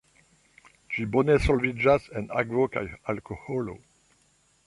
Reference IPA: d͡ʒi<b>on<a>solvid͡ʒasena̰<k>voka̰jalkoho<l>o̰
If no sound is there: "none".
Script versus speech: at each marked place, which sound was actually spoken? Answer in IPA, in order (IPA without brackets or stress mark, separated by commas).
b, e, ɡ, l